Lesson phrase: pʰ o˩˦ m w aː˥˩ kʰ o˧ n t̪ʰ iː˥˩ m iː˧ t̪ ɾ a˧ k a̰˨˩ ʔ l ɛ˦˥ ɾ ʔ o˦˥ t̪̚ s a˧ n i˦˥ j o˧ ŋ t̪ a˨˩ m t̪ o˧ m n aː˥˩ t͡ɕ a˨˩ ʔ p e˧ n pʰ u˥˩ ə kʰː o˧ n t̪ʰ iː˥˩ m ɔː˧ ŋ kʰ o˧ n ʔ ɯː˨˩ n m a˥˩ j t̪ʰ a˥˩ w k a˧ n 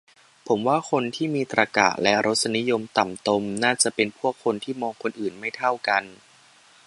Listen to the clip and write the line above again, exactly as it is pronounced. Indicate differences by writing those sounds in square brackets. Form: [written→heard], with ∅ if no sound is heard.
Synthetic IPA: pʰ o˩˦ m w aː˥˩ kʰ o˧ n t̪ʰ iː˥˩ m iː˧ t̪ ɾ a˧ k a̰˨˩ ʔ l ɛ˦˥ ɾ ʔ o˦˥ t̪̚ s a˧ n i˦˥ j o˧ [ŋ→m] t̪ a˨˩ m t̪ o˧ m n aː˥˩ t͡ɕ a˨˩ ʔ p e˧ n pʰ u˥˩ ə kʰː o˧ n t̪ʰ iː˥˩ m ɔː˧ ŋ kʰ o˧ n ʔ ɯː˨˩ n m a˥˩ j t̪ʰ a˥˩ w k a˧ n